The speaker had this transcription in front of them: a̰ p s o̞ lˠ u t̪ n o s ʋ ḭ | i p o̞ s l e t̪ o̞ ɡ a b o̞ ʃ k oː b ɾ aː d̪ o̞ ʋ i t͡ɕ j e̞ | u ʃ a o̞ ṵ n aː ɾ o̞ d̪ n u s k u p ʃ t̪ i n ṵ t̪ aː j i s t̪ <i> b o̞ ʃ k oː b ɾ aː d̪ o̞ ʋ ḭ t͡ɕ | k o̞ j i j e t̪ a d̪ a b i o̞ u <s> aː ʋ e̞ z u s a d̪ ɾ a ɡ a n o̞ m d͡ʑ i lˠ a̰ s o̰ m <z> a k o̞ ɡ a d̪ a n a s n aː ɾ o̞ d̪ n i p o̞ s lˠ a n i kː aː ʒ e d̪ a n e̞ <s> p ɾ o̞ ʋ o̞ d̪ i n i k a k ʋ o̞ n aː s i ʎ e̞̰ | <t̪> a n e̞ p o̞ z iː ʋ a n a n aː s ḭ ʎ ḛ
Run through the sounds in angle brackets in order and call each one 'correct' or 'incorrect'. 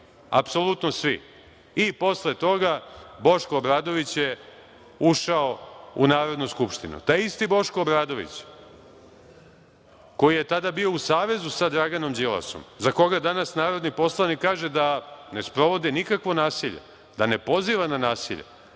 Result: correct, correct, correct, correct, incorrect: d̪

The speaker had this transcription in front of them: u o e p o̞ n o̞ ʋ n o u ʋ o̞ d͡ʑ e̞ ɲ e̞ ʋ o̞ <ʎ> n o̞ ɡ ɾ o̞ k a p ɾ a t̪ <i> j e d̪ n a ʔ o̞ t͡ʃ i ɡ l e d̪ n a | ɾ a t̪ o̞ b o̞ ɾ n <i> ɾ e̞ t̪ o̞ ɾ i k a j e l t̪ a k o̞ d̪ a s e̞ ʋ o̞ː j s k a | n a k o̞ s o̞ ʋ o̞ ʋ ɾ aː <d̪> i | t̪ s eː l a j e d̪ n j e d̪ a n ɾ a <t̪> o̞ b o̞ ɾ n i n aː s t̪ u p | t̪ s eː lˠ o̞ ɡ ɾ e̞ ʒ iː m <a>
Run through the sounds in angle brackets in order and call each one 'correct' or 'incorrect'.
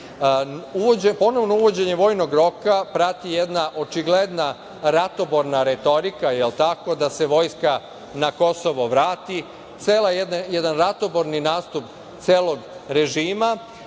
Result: incorrect: j, correct, incorrect: a, incorrect: t̪, correct, correct

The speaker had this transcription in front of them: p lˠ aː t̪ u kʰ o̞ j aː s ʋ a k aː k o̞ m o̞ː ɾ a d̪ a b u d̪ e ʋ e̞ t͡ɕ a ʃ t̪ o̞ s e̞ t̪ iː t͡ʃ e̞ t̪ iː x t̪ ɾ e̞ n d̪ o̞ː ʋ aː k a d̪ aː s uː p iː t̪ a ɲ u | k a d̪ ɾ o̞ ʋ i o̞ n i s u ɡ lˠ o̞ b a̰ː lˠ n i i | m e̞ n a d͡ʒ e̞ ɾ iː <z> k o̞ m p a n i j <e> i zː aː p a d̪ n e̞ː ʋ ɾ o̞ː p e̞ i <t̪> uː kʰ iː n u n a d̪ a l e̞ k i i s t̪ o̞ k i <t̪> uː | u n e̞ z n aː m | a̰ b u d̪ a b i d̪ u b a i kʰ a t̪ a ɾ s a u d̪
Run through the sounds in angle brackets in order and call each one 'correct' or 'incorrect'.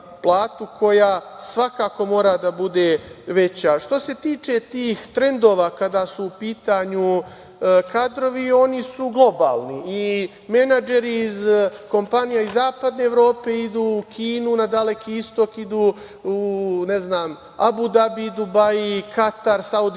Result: correct, incorrect: a, incorrect: d̪, incorrect: d̪

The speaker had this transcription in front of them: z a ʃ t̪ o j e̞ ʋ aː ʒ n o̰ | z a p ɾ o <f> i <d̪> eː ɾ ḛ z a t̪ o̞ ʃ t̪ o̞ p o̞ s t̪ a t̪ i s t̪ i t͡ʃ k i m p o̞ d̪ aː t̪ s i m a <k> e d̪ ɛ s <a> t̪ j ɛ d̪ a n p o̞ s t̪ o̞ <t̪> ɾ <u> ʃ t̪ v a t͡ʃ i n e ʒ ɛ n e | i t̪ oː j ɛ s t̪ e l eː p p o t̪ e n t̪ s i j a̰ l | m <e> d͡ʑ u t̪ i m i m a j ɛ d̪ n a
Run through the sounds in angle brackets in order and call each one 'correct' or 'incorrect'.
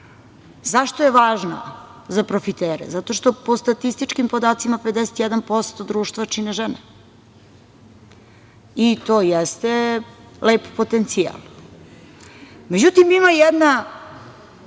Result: correct, incorrect: t̪, incorrect: p, incorrect: e, incorrect: d̪, incorrect: uː, correct

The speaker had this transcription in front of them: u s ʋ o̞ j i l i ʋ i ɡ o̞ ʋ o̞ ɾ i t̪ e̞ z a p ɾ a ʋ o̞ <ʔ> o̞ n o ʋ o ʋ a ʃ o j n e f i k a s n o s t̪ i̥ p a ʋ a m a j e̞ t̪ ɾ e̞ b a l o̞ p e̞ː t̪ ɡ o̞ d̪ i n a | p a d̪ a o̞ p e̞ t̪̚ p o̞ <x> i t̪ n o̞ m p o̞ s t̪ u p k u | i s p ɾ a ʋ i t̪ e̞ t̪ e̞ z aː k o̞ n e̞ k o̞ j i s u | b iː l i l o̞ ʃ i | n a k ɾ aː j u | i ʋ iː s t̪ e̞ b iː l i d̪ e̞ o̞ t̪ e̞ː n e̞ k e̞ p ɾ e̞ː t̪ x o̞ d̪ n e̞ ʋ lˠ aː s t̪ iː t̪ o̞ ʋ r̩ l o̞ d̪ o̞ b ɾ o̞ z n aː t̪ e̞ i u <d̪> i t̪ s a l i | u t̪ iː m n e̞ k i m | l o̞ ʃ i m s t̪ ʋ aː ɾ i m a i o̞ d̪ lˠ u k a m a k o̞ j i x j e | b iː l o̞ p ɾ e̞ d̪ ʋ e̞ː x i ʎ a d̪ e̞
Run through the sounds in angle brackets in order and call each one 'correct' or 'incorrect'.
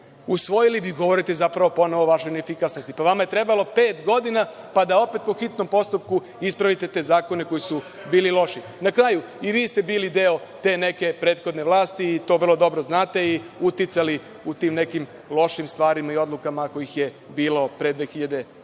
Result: incorrect: p, correct, incorrect: t̪

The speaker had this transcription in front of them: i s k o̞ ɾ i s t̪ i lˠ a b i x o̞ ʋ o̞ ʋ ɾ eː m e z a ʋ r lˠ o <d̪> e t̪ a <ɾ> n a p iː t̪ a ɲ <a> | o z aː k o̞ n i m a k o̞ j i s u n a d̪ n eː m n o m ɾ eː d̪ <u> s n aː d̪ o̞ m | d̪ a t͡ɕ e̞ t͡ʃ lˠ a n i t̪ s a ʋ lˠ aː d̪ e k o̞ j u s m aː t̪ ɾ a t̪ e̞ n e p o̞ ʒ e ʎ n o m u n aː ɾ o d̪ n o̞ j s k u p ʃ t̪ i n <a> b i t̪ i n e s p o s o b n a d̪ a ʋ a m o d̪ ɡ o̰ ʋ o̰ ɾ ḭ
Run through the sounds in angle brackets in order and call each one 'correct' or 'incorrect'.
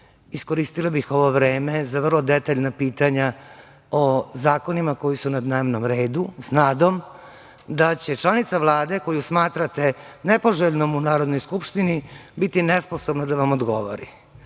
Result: correct, incorrect: ʎ, correct, correct, incorrect: i

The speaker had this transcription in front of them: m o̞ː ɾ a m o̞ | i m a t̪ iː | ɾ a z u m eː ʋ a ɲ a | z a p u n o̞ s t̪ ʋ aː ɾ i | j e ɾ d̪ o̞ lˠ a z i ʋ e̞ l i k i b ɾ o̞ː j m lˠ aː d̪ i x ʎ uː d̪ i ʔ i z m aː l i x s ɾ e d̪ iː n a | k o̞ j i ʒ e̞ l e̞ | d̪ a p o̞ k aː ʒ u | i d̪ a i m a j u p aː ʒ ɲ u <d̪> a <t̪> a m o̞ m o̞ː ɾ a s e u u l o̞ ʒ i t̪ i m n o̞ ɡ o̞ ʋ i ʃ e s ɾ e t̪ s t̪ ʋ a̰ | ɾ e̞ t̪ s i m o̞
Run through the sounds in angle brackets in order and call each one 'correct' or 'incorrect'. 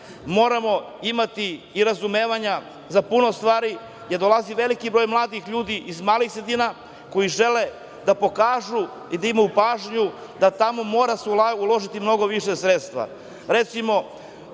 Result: correct, correct

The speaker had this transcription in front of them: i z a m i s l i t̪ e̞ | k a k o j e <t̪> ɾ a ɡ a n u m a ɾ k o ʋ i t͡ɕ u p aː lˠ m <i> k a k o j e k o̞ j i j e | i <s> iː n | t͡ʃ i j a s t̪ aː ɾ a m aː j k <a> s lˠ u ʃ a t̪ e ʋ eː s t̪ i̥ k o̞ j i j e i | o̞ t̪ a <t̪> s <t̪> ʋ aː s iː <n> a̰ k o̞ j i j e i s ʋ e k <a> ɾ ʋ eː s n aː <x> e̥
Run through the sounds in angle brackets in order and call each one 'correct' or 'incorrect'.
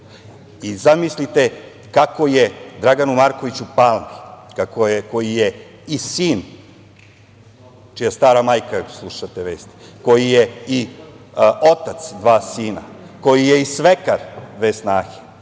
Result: incorrect: d̪, correct, correct, correct, correct, incorrect: d̪, correct, correct, correct

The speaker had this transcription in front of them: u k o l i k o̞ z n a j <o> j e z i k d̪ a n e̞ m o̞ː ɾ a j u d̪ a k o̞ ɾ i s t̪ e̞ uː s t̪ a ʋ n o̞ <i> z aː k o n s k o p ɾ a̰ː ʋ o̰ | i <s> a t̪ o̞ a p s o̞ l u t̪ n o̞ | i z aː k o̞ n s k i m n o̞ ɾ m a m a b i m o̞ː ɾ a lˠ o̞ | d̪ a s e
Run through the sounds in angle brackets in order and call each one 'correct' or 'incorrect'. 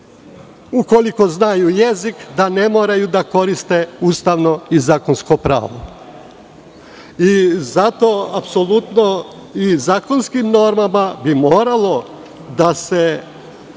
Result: incorrect: u, correct, incorrect: z

